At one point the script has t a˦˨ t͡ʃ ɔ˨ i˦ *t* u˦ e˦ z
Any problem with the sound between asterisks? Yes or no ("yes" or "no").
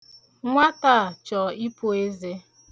yes